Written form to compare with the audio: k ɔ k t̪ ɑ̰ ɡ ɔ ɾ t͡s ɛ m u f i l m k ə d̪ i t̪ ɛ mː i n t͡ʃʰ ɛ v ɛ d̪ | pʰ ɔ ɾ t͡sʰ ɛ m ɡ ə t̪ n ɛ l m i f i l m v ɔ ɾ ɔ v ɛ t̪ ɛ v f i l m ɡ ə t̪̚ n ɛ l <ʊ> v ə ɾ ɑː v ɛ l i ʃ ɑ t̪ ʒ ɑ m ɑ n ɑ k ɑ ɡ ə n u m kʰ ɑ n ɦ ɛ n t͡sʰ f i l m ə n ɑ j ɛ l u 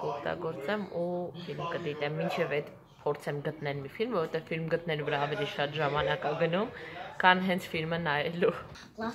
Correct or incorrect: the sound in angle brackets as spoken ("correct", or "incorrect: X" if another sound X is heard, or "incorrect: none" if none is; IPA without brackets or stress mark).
incorrect: u